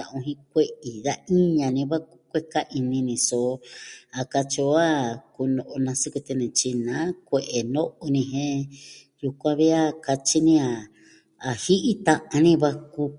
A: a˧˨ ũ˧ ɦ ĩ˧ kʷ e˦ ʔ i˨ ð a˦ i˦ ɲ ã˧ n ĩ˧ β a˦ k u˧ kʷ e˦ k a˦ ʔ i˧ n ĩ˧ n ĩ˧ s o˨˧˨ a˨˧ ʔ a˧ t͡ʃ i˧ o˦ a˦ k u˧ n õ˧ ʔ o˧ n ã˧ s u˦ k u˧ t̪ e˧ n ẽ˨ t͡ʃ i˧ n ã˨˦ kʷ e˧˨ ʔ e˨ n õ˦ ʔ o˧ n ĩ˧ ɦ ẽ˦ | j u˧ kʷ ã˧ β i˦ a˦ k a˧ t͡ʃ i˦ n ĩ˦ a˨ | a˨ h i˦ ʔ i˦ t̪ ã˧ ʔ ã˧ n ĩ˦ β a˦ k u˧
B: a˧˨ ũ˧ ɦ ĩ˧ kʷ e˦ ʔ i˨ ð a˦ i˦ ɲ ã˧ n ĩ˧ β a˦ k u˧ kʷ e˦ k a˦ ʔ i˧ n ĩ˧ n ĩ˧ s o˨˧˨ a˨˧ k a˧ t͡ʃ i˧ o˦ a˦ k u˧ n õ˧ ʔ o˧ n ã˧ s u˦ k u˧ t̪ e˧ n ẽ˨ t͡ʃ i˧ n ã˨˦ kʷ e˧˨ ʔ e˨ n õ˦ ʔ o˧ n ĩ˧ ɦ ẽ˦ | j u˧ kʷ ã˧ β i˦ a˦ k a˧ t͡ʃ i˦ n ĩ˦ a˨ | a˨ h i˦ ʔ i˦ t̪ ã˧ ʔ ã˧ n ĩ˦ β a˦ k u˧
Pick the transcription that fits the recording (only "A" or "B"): B